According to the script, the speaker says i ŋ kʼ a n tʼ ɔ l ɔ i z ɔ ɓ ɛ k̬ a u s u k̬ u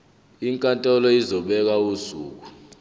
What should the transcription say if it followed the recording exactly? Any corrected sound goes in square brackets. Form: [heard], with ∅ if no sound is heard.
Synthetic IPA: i ŋ kʼ a n tʼ ɔ l ɔ i z ɔ ɓ ɛ k̬ a u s [uː] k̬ u

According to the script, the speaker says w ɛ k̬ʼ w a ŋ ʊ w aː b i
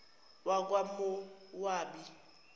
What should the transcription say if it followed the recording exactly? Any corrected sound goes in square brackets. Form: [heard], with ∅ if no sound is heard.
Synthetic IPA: w [a] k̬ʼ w a [m] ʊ w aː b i

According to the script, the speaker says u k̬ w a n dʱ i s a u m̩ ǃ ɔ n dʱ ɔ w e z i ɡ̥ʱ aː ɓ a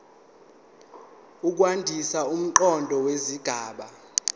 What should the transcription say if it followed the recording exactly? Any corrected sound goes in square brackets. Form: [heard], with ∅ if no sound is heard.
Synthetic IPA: u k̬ w a n dʱ i s a u m̩ ǃ ɔ n dʱ ɔ w e z i ɡ̥ʱ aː ɓ a

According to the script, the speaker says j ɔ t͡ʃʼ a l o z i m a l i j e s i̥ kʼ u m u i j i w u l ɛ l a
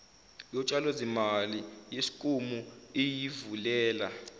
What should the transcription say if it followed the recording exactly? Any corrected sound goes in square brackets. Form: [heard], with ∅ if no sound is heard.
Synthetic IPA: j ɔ t͡ʃʼ a l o z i m a l i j e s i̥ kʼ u m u i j i [v] u l [ɛː] l a

